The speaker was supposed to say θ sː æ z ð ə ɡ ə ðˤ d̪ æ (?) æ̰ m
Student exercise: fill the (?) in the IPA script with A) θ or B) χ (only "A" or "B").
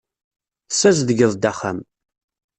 B